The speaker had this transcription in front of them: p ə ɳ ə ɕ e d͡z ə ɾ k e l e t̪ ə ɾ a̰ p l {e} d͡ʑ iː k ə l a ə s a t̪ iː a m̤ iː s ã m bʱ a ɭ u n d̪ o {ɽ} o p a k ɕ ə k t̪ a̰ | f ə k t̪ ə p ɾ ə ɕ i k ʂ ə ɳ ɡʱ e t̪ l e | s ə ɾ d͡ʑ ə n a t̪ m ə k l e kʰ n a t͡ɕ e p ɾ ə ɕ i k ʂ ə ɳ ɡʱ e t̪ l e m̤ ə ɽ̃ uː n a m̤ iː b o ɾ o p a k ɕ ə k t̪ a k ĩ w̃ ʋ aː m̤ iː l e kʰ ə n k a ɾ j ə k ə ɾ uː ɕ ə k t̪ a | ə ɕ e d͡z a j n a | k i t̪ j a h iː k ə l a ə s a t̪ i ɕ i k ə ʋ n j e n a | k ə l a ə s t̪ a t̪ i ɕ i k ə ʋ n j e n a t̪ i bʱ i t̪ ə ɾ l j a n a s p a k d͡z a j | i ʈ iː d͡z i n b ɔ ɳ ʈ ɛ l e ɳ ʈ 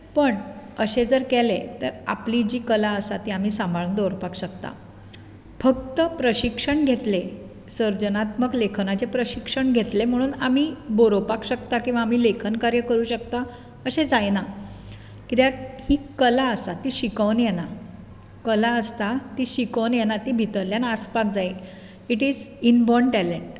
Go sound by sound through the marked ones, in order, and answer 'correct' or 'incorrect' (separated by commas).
incorrect, incorrect